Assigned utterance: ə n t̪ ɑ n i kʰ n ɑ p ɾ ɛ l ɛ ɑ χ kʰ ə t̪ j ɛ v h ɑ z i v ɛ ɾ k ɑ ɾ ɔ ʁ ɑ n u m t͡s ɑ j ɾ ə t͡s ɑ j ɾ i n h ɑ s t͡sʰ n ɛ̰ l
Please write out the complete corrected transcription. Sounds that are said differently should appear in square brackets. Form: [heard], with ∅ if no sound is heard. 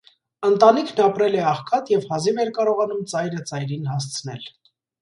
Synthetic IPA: ə n t̪ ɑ n i kʰ n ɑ p ɾ ɛ l ɛ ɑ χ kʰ [ɑ] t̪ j ɛ v h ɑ z i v ɛ ɾ k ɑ ɾ ɔ ʁ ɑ n u m t͡s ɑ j ɾ ə t͡s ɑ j ɾ i n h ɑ s t͡sʰ n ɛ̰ l